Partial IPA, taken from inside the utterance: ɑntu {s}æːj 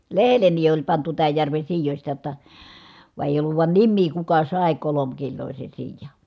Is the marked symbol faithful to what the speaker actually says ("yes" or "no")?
no